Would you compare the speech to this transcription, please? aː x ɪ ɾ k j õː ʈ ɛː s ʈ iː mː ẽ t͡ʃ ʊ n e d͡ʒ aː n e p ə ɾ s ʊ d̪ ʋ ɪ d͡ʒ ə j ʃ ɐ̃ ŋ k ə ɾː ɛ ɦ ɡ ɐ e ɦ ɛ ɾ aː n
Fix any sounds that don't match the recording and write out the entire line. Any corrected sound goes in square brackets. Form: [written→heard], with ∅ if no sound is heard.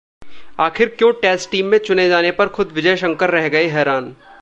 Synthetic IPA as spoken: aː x ɪ ɾ k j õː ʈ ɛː s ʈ iː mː ẽ t͡ʃ ʊ n e d͡ʒ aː n e p [ə→ɐ] ɾ [s→x] ʊ d̪ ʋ ɪ d͡ʒ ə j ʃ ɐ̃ ŋ k ə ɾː ɛ ɦ ɡ ɐ e ɦ [ɛ→ɛː] ɾ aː n